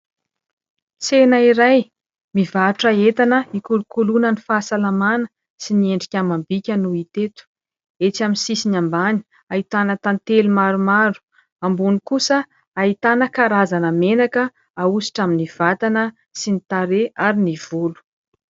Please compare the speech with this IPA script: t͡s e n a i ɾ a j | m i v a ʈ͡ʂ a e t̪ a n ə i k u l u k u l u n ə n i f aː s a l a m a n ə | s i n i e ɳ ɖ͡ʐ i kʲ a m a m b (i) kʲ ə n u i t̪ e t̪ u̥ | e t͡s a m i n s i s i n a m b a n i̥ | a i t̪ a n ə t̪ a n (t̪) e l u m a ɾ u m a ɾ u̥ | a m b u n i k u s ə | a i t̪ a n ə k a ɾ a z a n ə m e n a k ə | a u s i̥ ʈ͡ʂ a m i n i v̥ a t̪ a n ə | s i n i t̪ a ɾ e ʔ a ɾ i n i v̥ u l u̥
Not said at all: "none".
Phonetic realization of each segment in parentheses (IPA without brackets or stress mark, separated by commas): i, t̪